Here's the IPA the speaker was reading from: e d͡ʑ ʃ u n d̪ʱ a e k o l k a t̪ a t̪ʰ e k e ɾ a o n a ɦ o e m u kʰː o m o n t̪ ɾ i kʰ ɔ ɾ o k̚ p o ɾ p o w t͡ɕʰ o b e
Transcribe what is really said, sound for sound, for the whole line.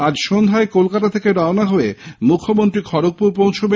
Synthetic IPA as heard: a d͡ʑ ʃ o n d̪ʱ a e k o l k a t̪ a t̪ʰ e k e ɾ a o n a ɦ o e m u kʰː o m o n t̪ ɾ i kʰ ɔ ɾ o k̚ p u ɾ p o w t͡ɕʰ o b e